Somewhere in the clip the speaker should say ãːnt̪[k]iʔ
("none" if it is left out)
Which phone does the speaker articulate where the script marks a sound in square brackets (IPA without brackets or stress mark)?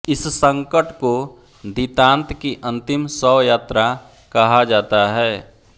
k